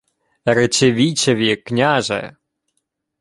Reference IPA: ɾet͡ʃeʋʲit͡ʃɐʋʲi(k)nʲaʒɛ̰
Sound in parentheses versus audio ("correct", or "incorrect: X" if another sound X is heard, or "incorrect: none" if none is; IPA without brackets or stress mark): correct